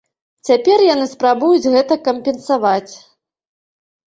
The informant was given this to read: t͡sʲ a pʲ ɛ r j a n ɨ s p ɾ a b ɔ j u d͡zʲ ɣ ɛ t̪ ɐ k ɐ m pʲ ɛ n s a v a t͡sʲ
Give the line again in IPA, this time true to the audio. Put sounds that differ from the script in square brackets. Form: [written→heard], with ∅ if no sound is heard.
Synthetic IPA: t͡sʲ a pʲ ɛ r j a n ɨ s p ɾ a b [ɔ→u] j u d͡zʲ ɣ ɛ t̪ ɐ k ɐ m pʲ ɛ n s a v a t͡sʲ